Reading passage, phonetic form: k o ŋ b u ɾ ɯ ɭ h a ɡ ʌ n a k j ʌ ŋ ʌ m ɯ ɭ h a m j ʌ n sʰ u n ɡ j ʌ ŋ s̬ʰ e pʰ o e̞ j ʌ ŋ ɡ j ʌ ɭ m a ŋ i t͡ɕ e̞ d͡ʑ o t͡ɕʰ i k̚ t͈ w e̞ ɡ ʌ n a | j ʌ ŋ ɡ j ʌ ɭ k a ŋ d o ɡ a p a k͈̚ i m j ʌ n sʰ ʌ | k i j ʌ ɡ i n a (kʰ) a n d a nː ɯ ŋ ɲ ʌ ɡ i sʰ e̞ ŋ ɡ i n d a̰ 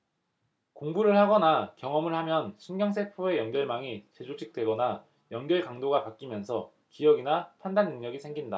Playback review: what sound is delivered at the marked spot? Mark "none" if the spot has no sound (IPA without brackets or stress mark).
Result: pʰ